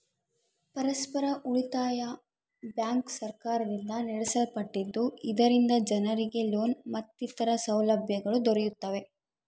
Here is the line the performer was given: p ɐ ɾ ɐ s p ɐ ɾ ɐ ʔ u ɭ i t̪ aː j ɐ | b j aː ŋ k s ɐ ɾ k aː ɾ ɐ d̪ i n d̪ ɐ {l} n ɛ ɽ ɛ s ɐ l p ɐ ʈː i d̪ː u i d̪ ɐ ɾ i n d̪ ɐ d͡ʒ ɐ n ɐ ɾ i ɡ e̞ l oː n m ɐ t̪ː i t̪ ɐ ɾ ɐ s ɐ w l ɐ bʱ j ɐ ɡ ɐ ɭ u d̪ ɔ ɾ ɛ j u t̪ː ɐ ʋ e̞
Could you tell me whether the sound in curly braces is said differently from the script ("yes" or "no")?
yes